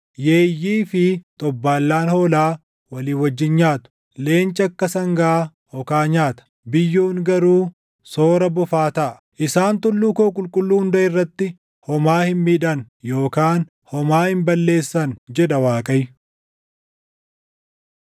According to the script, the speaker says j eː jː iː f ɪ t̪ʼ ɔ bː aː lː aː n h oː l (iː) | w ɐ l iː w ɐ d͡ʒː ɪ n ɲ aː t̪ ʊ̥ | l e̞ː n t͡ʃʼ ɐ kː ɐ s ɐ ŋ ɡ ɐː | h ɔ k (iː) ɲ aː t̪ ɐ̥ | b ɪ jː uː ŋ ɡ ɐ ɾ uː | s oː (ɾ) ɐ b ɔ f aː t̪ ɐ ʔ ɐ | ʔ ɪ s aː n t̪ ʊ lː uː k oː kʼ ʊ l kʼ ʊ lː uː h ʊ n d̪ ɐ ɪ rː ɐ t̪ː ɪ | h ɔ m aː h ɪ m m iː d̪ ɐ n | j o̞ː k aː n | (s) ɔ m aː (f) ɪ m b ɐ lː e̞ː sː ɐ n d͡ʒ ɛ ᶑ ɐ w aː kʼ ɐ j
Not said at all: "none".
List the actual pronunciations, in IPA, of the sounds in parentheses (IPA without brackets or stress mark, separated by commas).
aː, aː, ɾ, h, h